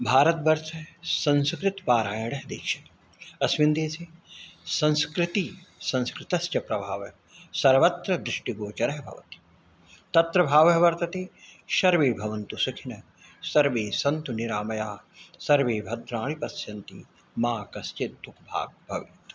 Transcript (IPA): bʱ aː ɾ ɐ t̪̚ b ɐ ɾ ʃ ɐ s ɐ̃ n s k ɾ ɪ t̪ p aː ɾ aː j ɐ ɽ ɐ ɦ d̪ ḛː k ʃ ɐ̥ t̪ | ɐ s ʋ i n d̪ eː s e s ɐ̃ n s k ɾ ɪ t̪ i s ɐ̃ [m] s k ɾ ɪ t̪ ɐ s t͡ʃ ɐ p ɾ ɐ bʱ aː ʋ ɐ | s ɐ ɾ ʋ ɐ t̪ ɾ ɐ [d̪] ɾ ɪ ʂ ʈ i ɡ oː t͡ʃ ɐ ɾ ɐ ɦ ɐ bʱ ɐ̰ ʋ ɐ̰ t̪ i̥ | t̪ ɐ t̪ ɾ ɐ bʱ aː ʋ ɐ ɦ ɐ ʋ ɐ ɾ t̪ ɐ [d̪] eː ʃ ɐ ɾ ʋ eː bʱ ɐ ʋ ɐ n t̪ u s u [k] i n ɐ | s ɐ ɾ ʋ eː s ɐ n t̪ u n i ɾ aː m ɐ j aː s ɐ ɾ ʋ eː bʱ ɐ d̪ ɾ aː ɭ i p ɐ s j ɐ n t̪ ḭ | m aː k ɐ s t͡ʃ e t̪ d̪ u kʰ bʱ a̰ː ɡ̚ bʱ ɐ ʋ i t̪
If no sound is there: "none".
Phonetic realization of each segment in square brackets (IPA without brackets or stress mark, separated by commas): n, d̪, t̪, kʰ